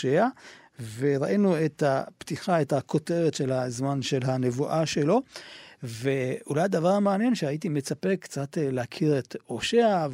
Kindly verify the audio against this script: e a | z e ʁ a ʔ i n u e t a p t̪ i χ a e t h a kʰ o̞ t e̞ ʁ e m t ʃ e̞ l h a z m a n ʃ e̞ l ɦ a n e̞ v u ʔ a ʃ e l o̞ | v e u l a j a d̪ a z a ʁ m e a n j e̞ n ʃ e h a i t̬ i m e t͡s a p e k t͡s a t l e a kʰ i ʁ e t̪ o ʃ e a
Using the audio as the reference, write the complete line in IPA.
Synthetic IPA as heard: e a | v e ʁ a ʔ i n u e t a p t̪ i χ a e t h a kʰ o̞ t e̞ ʁ e t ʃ e̞ l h a z m a n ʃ e̞ l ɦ a n e̞ v u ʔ a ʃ e l o̞ | v e u l a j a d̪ a v a ʁ m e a n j e̞ n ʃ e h a i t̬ i m e t͡s a p e k t͡s a t l e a kʰ i ʁ e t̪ o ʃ e a